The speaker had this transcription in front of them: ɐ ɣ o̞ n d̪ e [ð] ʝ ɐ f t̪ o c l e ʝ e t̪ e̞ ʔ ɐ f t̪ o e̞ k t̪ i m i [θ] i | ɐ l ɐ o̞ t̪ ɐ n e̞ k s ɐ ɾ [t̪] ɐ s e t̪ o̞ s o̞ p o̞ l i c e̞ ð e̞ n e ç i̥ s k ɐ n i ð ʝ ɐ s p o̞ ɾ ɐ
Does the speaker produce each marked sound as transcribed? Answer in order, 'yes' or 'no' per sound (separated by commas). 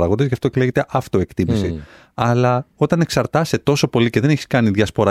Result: no, no, yes